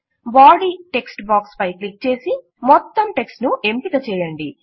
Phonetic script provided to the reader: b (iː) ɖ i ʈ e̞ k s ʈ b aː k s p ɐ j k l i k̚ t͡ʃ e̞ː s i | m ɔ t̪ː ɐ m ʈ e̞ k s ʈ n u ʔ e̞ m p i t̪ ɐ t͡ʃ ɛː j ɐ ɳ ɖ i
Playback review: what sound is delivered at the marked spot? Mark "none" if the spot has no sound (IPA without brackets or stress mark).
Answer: aː